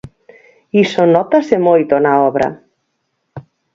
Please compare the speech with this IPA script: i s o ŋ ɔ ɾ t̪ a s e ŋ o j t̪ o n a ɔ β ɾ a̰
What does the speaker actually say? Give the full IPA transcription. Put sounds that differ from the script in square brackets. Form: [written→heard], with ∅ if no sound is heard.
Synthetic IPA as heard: i s o [ŋ→n] ɔ [ɾ→∅] t̪ a s e [ŋ→m] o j t̪ o n a ɔ β ɾ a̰